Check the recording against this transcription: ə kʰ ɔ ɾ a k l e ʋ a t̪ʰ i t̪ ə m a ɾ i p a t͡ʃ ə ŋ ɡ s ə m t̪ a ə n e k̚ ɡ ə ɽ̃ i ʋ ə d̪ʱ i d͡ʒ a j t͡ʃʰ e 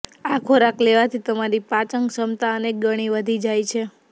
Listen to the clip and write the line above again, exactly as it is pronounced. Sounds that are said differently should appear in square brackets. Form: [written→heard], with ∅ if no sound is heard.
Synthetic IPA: [ə→a] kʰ [ɔ→o] ɾ a k l e ʋ a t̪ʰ i t̪ ə m a ɾ i p a t͡ʃ ə ŋ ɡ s ə m t̪ a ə n e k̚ ɡ ə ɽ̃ i ʋ ə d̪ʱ i d͡ʒ a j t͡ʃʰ e